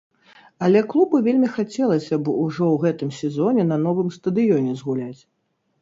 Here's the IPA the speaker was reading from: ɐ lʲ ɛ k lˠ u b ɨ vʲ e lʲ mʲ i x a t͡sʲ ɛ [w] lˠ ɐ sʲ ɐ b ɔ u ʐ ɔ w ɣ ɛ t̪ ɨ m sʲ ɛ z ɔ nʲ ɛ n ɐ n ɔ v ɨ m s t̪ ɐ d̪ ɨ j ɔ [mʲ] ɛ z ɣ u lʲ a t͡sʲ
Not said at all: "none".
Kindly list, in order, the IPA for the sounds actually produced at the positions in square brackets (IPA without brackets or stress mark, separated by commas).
none, nʲ